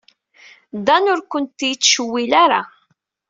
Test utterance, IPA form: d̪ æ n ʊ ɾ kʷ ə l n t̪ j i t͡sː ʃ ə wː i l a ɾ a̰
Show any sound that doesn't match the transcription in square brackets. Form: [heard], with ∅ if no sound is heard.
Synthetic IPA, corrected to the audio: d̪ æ n ʊ ɾ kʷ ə [∅] n t̪ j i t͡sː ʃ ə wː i l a ɾ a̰